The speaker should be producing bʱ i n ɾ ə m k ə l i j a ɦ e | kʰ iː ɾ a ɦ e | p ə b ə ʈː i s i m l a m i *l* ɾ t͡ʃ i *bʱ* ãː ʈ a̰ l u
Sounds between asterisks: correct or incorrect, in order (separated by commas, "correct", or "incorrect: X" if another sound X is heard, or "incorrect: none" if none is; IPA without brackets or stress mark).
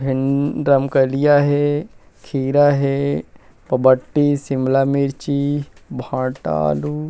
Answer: incorrect: none, correct